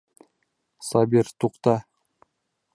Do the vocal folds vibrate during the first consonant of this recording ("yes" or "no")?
no